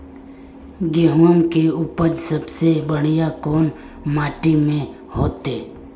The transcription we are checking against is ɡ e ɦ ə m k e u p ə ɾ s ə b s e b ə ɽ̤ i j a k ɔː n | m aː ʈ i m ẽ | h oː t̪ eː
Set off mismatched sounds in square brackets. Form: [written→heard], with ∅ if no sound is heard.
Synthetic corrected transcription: ɡ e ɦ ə m k e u p ə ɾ s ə b s e b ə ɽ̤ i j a k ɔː n | m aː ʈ i m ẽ | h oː t̪ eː